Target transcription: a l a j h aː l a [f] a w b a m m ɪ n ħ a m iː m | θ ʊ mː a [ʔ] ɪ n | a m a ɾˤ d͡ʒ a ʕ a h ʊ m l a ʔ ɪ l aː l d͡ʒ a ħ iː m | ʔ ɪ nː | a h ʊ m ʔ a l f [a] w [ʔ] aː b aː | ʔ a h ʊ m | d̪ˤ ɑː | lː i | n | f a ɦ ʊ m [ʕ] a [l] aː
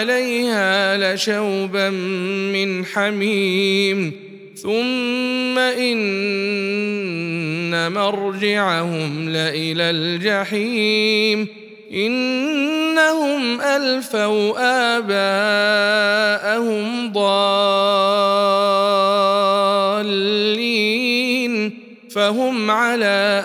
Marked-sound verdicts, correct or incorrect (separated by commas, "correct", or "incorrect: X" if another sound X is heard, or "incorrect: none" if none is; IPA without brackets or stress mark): incorrect: ʃ, correct, correct, correct, correct, correct